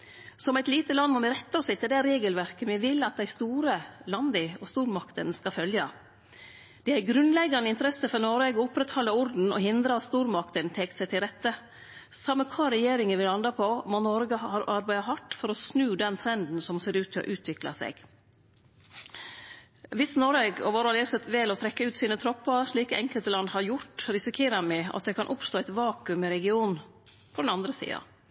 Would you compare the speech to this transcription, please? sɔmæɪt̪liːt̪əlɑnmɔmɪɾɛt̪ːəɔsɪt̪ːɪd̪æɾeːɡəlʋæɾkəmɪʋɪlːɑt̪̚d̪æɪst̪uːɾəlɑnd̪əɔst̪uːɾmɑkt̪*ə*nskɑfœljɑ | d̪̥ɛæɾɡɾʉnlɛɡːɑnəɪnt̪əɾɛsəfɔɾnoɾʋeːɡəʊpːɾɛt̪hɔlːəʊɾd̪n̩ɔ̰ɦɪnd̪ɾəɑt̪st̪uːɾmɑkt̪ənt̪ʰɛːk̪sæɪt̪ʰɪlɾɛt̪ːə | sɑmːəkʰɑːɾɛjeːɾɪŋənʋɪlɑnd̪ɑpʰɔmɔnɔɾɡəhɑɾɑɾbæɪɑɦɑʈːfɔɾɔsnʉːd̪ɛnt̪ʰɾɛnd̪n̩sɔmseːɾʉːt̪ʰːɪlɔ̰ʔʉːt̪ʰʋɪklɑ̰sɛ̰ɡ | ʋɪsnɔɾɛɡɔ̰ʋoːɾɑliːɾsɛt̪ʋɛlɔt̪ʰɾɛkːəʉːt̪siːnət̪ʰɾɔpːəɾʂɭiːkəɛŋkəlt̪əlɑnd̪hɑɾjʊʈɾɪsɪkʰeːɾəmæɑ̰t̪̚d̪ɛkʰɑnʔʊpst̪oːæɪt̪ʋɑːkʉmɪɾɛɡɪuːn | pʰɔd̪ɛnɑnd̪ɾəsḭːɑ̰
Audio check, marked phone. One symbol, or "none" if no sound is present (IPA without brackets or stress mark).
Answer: ə